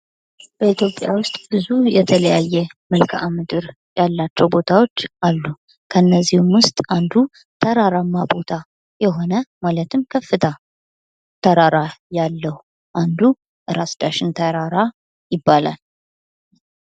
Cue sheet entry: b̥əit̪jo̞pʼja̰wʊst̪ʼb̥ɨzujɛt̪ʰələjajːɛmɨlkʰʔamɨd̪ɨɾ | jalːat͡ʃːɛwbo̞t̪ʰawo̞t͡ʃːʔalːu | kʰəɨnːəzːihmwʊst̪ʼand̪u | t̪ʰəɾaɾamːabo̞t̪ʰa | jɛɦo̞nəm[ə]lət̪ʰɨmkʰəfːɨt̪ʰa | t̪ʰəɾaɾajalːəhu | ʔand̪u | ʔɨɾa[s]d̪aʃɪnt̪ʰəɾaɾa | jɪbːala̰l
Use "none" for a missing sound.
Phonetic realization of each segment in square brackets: a, s

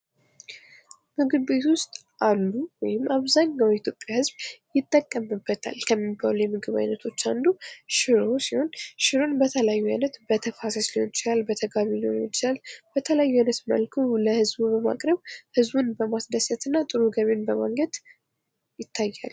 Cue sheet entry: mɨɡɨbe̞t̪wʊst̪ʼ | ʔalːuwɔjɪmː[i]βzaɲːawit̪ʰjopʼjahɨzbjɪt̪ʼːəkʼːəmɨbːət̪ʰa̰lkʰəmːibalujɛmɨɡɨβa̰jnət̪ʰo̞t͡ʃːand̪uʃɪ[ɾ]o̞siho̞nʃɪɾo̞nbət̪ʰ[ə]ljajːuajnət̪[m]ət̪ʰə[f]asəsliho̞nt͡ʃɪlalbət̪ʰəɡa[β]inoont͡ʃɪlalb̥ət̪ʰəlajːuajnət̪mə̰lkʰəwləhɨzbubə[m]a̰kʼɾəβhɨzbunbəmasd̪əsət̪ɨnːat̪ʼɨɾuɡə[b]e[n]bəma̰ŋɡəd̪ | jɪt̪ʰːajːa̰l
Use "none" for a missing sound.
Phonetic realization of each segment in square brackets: a, ɾ, ə, b, f, β, m, β, n

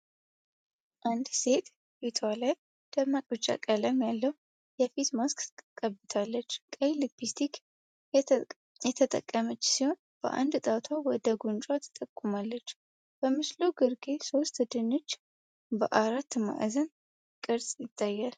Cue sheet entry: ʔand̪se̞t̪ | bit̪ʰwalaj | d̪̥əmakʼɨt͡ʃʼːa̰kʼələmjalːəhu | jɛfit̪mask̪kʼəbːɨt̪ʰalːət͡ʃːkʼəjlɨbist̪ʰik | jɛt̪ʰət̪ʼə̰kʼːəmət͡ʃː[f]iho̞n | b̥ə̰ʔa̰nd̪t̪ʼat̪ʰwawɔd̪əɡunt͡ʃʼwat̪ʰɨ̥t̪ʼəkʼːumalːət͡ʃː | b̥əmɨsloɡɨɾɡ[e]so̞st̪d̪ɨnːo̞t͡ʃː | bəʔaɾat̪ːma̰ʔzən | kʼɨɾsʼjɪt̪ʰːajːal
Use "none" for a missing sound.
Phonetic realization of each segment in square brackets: s, e

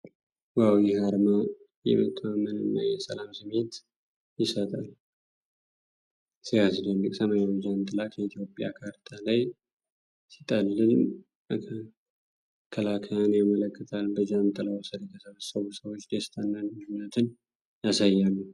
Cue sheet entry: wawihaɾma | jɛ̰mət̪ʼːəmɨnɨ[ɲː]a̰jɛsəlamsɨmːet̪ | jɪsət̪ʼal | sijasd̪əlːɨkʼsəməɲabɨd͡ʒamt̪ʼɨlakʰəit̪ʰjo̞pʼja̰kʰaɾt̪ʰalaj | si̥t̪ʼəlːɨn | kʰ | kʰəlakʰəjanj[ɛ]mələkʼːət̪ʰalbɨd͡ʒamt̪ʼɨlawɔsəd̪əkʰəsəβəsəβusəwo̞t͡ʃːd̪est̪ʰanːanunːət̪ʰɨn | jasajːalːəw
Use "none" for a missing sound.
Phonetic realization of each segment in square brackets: nː, a

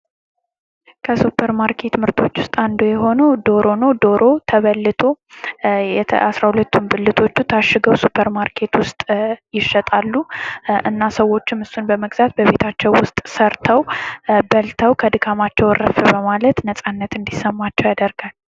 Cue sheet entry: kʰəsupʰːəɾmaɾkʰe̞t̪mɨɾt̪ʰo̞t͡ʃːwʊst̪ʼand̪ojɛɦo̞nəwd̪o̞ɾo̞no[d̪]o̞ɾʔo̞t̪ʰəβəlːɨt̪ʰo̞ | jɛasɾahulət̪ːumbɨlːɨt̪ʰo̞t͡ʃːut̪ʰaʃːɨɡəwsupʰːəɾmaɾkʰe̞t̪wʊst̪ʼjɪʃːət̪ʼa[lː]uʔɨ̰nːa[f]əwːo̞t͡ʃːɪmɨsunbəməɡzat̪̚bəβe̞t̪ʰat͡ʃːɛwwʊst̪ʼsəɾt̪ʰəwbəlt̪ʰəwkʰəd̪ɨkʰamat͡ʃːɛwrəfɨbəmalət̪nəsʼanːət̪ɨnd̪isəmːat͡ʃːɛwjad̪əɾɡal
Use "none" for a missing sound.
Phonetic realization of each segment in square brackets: d̪, lː, s

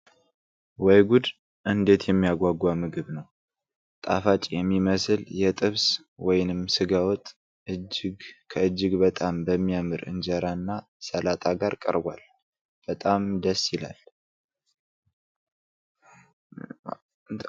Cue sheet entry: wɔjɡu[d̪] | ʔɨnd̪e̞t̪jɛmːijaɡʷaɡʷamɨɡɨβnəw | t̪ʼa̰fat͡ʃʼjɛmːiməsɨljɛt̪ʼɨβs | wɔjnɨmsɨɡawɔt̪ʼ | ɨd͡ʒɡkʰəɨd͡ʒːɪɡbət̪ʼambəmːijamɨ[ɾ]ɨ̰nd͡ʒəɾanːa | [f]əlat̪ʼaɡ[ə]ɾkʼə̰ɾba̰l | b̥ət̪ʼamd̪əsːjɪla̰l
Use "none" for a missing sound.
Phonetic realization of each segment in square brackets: d̪, ɾ, s, a

